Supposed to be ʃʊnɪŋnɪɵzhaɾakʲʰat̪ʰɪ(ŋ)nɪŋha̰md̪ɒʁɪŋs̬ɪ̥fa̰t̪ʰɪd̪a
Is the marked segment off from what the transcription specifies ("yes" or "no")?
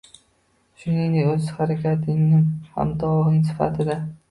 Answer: no